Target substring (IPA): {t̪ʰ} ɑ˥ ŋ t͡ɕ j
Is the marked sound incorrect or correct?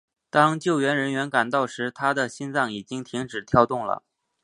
incorrect